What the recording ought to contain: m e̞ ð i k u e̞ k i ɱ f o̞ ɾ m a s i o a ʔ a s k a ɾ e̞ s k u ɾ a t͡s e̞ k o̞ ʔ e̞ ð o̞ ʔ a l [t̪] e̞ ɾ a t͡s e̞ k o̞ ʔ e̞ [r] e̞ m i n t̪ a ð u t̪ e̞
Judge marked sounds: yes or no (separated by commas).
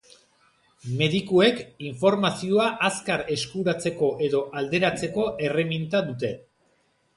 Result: no, yes